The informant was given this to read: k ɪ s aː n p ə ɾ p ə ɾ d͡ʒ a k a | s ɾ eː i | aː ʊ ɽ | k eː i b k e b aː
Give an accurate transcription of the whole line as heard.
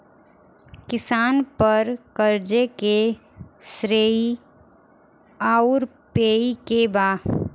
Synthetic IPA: k ɪ s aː n p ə ɾ k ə ɾ d͡ʒ e k e | s ɾ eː i | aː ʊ ɾ | p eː i k e b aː